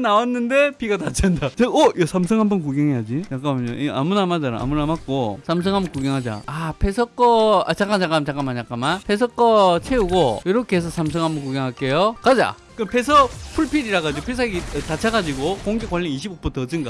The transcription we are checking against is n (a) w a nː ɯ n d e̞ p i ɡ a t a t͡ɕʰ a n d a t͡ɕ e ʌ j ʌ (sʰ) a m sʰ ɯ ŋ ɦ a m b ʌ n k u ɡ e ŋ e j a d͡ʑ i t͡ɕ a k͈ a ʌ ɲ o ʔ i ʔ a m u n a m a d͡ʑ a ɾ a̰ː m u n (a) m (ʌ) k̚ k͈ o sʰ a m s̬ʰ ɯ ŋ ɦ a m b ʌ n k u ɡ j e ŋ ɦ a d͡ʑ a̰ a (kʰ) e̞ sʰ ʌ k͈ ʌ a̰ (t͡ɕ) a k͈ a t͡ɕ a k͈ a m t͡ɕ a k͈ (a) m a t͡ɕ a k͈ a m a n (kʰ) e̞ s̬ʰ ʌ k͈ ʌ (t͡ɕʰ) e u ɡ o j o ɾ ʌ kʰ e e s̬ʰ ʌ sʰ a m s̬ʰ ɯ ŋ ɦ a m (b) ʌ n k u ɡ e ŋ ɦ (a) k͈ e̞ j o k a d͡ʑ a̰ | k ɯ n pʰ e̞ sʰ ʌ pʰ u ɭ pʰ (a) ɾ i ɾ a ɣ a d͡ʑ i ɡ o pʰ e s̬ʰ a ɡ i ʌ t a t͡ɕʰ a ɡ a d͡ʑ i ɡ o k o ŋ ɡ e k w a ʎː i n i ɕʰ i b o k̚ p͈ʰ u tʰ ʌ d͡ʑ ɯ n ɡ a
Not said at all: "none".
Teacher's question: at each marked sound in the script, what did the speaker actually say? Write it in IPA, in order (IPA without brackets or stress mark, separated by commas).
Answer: a, sʰ, a, a, pʰ, t͡ɕ, a, pʰ, t͡ɕʰ, b, a, i